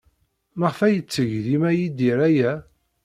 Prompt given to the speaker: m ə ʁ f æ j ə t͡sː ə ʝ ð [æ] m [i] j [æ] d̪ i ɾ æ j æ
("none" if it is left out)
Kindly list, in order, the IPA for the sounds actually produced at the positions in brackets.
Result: i, æ, i

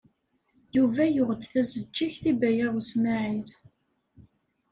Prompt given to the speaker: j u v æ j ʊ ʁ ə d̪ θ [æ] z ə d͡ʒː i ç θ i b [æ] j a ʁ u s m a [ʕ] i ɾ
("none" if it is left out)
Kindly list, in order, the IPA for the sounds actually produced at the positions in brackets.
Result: æ, æ, ʕ

